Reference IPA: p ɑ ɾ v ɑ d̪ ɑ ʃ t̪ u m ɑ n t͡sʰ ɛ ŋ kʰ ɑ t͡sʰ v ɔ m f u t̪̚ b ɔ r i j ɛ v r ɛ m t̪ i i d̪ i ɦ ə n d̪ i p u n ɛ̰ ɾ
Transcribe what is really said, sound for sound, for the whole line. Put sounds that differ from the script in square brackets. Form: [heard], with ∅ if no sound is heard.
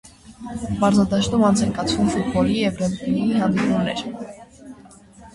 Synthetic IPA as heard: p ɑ ɾ [z] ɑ d̪ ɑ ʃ t̪ u m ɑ n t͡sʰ ɛ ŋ [k] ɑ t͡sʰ v [u] m f u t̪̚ b ɔ [l] i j ɛ v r ɛ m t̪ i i [∅] i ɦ [ɑ] n d̪ i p u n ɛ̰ ɾ